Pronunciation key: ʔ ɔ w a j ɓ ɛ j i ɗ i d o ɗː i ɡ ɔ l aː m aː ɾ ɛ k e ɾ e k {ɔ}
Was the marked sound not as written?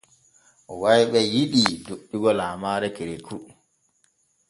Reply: yes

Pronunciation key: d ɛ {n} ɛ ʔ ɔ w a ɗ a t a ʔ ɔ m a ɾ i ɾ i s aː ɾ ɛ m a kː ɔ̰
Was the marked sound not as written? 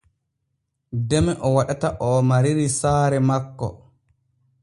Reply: yes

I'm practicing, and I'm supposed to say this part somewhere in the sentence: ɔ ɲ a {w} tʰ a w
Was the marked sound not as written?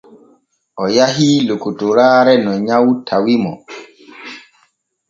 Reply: no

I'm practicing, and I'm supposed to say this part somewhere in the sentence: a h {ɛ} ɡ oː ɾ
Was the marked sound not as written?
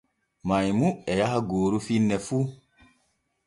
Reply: yes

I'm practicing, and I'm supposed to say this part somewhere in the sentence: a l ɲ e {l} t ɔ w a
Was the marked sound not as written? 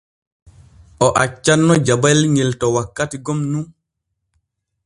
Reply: no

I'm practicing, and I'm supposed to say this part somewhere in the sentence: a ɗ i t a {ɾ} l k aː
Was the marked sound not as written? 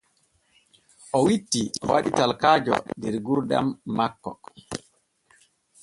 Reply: yes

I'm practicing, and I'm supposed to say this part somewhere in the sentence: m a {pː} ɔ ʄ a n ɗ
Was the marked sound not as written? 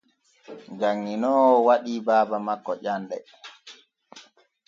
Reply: yes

